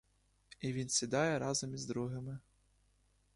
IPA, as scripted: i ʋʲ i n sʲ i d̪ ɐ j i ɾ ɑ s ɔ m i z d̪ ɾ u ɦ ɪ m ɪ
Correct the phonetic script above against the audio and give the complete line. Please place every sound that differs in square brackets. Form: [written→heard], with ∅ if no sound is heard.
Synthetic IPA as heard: i ʋʲ i n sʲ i d̪ [ɐ→ɑ] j [i→ɛ] ɾ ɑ [s→z] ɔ m i z d̪ ɾ u ɦ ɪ m ɪ